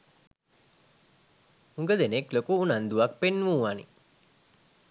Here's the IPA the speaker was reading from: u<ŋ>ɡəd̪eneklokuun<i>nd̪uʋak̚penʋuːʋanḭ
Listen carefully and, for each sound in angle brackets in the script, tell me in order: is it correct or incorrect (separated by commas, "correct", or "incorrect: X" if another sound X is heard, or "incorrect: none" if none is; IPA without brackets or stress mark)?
correct, incorrect: a